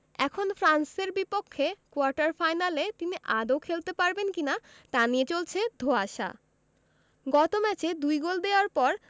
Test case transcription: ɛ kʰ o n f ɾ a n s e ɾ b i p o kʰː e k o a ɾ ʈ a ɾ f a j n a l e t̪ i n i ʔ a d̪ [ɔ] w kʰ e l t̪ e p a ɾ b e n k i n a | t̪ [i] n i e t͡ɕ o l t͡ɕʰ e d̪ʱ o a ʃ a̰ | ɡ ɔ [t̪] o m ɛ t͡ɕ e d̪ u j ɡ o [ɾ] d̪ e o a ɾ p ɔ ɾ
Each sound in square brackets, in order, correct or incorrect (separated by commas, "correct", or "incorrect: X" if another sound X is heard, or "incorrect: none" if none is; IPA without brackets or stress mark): incorrect: o, incorrect: a, correct, incorrect: l